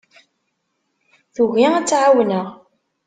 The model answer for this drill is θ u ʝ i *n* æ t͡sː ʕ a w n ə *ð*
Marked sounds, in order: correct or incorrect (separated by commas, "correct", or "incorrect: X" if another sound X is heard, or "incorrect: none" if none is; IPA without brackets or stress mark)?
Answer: incorrect: none, incorrect: ʁ